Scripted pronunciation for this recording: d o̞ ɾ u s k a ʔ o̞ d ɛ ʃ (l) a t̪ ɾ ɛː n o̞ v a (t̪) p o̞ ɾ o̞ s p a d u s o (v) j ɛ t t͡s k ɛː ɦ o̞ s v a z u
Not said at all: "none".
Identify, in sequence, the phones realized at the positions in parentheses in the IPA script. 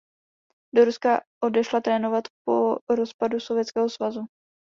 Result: l, t̪, v

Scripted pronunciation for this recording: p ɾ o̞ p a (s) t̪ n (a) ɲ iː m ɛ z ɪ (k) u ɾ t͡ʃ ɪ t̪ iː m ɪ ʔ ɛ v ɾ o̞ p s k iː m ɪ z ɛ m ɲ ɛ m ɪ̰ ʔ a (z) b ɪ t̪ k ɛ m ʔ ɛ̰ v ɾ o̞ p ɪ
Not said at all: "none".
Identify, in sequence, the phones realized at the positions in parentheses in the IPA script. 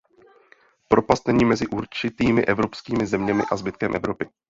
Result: s, ɛ, ʔ, z

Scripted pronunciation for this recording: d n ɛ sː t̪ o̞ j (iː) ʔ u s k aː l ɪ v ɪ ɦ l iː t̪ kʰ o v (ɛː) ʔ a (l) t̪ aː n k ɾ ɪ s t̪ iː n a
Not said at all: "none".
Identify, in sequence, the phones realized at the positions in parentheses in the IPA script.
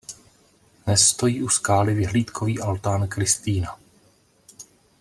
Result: iː, iː, l

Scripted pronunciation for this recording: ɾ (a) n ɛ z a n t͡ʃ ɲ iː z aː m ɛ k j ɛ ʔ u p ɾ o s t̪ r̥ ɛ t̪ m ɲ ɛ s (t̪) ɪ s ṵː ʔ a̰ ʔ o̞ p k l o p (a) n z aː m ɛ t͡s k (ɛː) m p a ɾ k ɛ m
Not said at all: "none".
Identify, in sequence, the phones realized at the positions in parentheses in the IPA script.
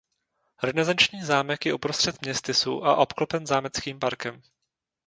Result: ɛ, t̪, ɛ, iː

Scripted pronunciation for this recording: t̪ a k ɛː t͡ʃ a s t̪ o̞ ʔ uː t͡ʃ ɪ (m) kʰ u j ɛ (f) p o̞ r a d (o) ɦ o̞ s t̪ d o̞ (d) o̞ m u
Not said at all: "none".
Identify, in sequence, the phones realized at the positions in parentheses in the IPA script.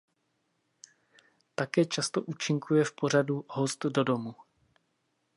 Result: ŋ, f, u, d

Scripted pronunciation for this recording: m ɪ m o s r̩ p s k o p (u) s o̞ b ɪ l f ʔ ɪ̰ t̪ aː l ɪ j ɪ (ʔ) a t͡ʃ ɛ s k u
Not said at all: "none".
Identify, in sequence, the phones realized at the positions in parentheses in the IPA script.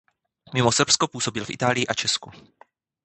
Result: uː, ʔ

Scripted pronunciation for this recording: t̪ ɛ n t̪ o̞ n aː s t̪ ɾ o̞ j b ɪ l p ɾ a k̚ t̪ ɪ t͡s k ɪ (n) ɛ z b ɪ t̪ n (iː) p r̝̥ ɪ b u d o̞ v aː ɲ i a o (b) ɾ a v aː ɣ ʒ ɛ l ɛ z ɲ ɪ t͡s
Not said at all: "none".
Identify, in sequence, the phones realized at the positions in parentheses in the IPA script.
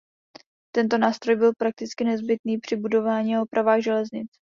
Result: n, iː, p

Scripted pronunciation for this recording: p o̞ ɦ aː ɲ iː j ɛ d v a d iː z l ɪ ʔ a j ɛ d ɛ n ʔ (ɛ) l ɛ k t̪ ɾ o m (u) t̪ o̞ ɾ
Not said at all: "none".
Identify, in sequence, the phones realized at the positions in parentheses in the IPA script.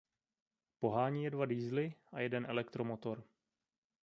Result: ɛ, o

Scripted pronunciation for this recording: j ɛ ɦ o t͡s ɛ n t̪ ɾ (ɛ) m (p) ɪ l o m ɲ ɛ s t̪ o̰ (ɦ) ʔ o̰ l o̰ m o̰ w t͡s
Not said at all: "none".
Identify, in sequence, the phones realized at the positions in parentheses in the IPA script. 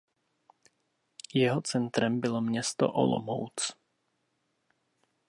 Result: ɛ, b, none

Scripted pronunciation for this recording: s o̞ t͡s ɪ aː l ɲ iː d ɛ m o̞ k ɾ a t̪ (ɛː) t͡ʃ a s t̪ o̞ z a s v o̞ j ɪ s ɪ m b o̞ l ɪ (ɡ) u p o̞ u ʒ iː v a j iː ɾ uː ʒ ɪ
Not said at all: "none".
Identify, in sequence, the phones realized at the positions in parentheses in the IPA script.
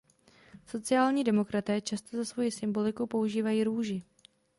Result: ɛː, k

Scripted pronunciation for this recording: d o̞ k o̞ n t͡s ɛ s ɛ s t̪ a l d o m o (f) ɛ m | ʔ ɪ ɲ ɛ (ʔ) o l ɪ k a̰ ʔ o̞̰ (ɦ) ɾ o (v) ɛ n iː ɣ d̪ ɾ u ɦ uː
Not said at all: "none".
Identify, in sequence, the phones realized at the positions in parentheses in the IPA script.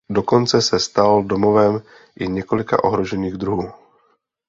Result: v, k, ɦ, ʒ

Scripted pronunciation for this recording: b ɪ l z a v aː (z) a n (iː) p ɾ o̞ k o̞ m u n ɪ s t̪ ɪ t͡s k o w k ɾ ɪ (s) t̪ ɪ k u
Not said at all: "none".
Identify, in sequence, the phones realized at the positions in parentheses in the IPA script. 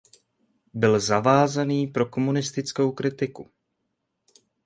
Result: z, iː, none

